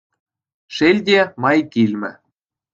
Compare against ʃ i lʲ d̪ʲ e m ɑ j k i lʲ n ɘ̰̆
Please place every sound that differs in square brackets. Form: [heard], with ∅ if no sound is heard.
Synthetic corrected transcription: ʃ [e] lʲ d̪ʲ e m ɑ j k i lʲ [m] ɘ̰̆

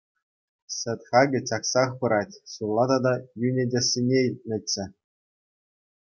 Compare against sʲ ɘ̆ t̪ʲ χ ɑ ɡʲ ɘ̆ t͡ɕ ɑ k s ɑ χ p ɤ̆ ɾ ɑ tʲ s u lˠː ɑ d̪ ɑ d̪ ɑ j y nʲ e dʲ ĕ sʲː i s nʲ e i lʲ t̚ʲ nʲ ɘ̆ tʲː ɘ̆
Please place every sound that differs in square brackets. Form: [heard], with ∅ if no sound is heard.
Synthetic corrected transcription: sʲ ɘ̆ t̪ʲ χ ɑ ɡʲ ɘ̆ t͡ɕ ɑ k s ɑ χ p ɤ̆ ɾ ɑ tʲ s u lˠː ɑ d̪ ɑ d̪ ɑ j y nʲ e dʲ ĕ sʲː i [∅] nʲ e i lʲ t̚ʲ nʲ ɘ̆ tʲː ɘ̆

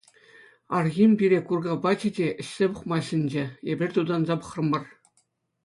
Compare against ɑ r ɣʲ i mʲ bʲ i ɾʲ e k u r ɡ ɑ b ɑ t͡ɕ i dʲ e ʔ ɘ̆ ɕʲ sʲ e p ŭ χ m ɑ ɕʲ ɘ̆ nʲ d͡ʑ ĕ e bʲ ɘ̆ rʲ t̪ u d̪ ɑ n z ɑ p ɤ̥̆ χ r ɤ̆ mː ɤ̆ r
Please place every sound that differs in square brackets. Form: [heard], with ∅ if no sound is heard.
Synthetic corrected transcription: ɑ r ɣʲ i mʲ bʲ i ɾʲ e k u r ɡ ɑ b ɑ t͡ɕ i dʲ e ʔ ɘ̆ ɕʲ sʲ e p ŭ χ m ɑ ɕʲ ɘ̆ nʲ d͡ʑ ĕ e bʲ ɘ̆ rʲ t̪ u d̪ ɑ n z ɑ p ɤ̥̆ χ r ɤ̆ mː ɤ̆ r

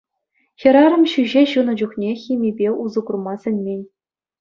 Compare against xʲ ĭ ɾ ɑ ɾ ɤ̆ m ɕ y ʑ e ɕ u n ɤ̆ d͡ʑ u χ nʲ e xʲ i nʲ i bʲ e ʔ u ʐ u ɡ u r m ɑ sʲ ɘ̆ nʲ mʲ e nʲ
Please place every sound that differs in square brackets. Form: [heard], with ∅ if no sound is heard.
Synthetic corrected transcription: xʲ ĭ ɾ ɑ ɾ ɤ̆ m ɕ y ʑ e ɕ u n ɤ̆ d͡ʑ u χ nʲ e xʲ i [mʲ] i bʲ e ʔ u [z] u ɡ u r m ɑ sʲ ɘ̆ nʲ mʲ e nʲ

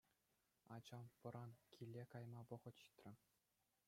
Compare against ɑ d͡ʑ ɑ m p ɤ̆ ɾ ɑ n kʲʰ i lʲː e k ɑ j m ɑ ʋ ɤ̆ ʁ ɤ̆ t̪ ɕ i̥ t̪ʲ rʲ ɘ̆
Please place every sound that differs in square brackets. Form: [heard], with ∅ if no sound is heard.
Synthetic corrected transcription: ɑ d͡ʑ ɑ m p ɤ̆ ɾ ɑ n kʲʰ i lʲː e k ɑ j m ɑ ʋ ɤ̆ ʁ ɤ̆ t̪ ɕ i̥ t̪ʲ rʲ ɘ̆

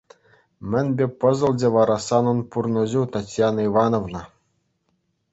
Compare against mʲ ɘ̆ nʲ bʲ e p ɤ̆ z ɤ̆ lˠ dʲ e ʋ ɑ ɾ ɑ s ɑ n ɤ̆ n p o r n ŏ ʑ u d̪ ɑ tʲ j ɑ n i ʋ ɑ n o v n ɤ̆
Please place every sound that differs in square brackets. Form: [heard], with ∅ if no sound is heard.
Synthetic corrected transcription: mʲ ɘ̆ nʲ bʲ e p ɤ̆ z ɤ̆ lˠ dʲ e ʋ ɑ ɾ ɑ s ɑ n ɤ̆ n p [u] r n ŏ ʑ u [t̪] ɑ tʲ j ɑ n i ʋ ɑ n o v n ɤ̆

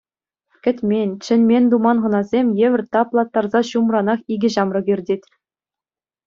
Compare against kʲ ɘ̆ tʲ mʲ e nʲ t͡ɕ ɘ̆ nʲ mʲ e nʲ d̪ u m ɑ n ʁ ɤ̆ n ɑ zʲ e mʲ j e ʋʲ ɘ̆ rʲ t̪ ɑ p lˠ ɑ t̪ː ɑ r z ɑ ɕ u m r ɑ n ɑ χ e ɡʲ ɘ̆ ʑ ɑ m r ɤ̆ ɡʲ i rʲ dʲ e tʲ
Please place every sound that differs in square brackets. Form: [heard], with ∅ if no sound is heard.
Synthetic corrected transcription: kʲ ɘ̆ tʲ mʲ e nʲ t͡ɕ ɘ̆ nʲ mʲ e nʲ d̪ u m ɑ n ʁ ɤ̆ n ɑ zʲ e mʲ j e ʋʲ ɘ̆ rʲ t̪ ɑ p lˠ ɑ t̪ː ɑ r z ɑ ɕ u m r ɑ n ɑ χ [i] ɡʲ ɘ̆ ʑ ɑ m r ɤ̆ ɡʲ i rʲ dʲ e tʲ

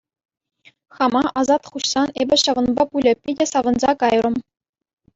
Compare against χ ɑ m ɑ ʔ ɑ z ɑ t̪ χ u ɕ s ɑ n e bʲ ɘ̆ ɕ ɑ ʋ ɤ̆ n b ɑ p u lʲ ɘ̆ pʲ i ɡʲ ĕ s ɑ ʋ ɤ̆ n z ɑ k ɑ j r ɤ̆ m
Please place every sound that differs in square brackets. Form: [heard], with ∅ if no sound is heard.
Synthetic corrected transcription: χ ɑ m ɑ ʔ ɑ z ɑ t̪ χ u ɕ s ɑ n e bʲ ɘ̆ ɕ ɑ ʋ ɤ̆ n b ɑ p u lʲ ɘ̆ pʲ i [dʲ] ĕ s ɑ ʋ ɤ̆ n z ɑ k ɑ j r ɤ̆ m

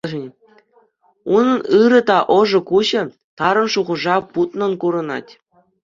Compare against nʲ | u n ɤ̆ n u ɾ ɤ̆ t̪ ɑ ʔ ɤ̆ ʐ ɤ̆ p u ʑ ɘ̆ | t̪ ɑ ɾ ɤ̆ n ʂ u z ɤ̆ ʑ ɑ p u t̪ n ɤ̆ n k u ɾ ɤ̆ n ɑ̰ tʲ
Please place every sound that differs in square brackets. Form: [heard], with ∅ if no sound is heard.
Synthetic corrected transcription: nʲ | u n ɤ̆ n [ɯ] ɾ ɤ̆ t̪ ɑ ʔ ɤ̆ ʐ ɤ̆ [k] u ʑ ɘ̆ | t̪ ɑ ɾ ɤ̆ n ʂ u [ʁ] ɤ̆ [ʐ] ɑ p u t̪ n ɤ̆ n k u ɾ ɤ̆ n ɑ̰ tʲ

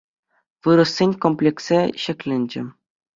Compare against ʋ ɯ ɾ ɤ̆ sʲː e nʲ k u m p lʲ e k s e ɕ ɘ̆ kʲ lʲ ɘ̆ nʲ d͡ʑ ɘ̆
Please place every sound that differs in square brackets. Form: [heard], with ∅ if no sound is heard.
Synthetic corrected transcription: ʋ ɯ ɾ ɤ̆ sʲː e nʲ k [o] m p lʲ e k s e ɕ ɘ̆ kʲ lʲ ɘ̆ nʲ d͡ʑ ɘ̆

